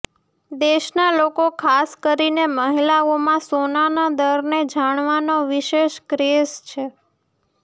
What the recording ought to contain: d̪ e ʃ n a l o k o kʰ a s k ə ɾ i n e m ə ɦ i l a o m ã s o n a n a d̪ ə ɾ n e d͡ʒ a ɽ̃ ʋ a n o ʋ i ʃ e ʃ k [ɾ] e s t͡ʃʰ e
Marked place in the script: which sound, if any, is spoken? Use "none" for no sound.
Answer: ɾ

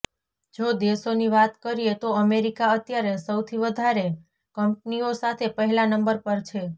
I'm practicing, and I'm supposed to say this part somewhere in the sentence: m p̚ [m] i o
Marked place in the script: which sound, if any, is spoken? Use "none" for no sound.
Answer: n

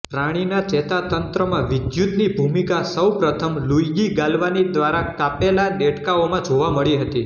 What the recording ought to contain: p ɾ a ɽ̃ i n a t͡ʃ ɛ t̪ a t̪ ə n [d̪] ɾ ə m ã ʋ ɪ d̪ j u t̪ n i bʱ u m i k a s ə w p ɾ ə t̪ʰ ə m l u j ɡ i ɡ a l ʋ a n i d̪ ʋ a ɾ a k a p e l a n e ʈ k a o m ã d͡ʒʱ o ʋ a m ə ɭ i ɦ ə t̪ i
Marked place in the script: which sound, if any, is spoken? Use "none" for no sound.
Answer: t̪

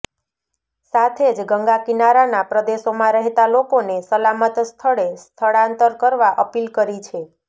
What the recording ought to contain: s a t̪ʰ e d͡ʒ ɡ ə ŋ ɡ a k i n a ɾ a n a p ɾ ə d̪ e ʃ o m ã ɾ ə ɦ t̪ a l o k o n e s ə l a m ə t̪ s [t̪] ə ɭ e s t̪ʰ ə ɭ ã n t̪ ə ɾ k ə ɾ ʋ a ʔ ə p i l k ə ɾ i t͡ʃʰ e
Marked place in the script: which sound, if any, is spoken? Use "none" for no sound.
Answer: t̪ʰ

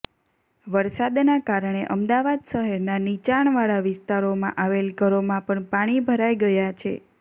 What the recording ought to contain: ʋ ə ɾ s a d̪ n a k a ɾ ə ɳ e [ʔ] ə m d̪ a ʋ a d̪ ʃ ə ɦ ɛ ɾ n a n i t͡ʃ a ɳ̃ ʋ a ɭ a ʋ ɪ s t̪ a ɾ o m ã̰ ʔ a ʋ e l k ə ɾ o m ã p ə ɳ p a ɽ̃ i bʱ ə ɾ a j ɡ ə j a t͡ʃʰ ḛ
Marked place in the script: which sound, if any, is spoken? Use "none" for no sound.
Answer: ʔ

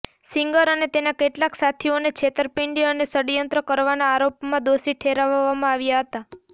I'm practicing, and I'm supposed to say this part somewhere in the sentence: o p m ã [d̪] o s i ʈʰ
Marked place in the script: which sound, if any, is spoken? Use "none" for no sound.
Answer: d̪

